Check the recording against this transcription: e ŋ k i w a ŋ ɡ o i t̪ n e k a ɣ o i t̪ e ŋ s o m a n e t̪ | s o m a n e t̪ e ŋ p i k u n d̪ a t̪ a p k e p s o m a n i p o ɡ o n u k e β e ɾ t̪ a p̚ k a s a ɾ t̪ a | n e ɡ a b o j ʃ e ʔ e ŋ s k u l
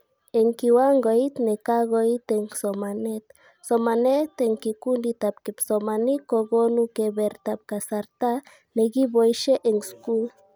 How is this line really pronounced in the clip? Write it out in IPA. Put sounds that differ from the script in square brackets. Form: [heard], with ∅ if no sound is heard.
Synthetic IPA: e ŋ k i w a ŋ ɡ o i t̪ n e k a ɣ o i t̪ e ŋ s o m a n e t̪ | s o m a n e t̪ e ŋ [k] i k u n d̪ [i] t̪ a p k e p s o m a n i [k] o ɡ o n u k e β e ɾ t̪ a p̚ k a s a ɾ t̪ a | n e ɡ [i] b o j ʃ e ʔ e ŋ s k u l

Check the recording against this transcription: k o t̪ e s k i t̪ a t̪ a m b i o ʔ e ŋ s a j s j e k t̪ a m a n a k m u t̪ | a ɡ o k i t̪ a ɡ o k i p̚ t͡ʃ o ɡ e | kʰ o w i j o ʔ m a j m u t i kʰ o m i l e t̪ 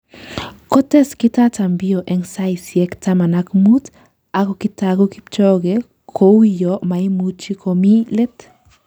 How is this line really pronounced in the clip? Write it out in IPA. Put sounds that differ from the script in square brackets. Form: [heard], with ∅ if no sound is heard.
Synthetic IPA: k o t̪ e s k i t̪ a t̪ a m b i o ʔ e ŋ s a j s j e k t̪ a m a n a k m u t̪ | a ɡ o k i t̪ a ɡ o k i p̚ t͡ʃ o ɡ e | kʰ o w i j o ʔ m a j m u [t͡ʃ] i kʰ o m i l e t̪

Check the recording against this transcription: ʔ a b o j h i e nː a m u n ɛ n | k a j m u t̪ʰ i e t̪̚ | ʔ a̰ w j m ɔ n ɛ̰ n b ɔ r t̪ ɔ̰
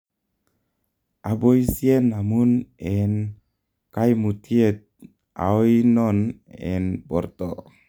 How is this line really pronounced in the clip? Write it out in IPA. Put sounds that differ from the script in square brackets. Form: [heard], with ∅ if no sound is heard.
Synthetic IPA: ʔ a b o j [s] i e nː a m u n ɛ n | k a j m u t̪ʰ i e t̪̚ | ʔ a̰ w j [n] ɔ n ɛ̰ n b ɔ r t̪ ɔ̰

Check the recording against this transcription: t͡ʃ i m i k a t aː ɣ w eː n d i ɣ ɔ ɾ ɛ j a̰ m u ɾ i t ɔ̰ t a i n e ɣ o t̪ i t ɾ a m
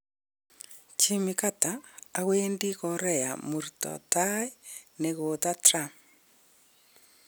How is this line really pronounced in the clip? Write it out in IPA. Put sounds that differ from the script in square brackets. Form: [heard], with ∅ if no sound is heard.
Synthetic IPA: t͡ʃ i m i k a t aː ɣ w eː n d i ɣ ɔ ɾ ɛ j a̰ m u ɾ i t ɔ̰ t a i n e ɣ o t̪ [a] t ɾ a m

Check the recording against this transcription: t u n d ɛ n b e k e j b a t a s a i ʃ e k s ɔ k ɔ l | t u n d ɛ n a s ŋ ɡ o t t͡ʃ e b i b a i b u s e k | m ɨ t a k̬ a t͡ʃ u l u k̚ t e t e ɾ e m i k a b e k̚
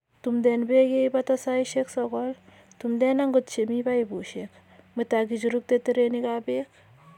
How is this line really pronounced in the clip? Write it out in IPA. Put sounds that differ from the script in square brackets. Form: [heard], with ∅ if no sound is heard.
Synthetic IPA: t u [m] d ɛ n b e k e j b a t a s a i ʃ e k s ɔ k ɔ l | t u [m] d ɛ n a [∅] ŋ ɡ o t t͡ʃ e [m] i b a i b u [ʃ] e k | m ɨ t a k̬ [i] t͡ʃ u [ɾ] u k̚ t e t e ɾ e [n] i k a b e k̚

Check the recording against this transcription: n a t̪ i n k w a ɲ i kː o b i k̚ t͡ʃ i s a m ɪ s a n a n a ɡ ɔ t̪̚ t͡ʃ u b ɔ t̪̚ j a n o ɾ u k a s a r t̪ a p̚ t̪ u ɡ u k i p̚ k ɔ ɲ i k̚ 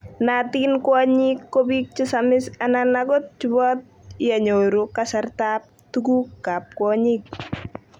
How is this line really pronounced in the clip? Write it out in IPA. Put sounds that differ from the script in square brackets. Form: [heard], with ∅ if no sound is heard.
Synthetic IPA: n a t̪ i n k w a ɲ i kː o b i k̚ t͡ʃ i s a m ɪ s a n a n a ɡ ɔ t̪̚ t͡ʃ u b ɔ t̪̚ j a [ɲ] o ɾ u k a s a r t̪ a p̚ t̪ u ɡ u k [a] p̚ k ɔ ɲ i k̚

